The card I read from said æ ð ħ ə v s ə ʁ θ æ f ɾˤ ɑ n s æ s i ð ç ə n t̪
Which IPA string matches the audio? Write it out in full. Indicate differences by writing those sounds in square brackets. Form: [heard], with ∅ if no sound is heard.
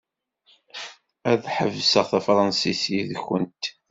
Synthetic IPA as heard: æ ð ħ ə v s ə ʁ θ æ f ɾˤ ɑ n s [i] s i ð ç ə n t̪